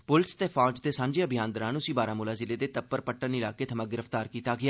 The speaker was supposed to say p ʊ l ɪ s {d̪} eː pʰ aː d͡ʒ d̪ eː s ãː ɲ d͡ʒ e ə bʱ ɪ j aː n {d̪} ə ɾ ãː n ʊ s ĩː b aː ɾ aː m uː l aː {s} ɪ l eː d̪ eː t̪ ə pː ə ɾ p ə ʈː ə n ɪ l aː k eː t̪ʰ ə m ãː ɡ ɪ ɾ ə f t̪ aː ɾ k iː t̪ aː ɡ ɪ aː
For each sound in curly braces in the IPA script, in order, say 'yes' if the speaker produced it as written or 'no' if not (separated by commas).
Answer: no, yes, no